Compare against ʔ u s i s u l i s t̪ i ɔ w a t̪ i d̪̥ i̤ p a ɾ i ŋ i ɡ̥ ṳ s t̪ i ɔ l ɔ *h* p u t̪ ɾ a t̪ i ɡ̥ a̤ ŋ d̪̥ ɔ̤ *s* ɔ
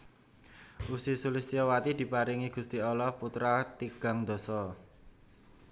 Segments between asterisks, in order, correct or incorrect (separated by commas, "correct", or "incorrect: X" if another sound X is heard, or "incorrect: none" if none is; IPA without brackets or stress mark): correct, correct